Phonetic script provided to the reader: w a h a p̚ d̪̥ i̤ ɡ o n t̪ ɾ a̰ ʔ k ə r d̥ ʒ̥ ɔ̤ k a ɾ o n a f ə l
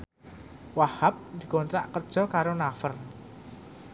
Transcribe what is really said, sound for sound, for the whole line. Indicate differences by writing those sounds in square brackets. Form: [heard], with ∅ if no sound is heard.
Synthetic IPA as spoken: w a h a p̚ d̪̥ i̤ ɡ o n t̪ ɾ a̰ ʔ k ə r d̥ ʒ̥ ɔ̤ k a ɾ o n a f ə [r]